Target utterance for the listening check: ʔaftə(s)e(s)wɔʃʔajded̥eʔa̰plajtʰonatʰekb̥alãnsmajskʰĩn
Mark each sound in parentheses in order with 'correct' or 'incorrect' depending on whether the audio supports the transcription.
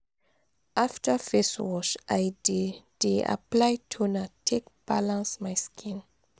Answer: incorrect: f, correct

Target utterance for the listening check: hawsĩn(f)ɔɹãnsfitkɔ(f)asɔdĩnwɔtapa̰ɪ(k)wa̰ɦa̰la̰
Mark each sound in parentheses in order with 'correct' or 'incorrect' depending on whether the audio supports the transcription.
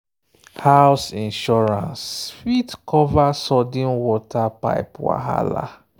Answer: incorrect: ʃ, incorrect: v, incorrect: p

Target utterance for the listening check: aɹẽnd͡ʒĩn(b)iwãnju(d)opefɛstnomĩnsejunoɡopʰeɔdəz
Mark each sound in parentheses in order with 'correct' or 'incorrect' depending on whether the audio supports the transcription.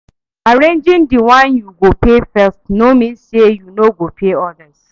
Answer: incorrect: d, incorrect: ɡ

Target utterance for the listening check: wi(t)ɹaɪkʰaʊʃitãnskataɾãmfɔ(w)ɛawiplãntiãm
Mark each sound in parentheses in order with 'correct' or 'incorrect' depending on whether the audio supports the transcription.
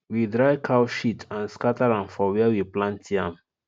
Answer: incorrect: d, correct

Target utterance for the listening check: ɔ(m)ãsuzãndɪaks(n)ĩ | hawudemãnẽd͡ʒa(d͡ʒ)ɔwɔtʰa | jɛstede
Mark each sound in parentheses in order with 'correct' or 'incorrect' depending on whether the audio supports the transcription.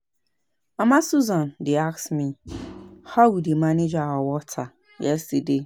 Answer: correct, incorrect: m, incorrect: none

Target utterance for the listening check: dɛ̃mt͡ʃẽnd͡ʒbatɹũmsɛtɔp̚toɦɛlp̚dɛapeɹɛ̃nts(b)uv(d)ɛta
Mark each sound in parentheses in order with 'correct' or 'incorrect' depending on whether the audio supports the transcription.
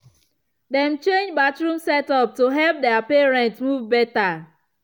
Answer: incorrect: m, incorrect: b

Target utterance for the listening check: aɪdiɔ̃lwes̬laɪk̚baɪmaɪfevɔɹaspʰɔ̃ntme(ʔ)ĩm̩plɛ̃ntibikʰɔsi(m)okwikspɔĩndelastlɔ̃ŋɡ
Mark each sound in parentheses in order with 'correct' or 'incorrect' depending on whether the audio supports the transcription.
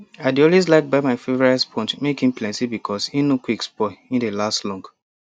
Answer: incorrect: k, incorrect: n

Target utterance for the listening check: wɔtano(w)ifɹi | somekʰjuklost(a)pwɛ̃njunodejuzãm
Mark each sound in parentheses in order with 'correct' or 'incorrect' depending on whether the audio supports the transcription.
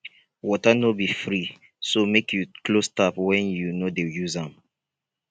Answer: incorrect: b, correct

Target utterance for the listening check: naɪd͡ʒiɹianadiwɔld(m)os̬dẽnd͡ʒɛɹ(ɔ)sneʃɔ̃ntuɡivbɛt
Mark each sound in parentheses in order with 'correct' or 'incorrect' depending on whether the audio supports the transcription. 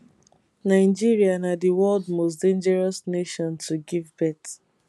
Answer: correct, correct

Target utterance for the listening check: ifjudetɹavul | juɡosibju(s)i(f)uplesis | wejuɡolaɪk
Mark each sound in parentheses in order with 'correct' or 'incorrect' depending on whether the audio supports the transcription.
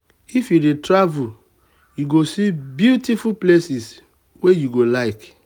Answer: incorrect: t, correct

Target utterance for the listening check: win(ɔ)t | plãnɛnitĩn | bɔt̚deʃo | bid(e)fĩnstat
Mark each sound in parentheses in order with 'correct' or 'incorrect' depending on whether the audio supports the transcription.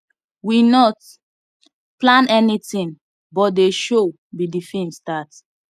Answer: correct, incorrect: i

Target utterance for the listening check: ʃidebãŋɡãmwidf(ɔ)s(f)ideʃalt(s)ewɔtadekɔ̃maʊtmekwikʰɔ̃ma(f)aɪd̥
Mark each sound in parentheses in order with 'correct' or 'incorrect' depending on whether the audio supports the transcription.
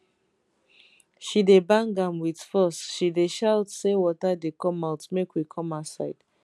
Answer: correct, incorrect: ʃ, correct, incorrect: s

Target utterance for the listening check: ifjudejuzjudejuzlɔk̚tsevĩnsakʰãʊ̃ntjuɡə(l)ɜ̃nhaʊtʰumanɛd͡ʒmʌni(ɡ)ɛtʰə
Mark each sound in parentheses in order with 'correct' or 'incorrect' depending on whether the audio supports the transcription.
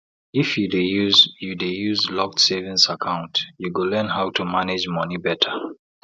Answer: correct, incorrect: b

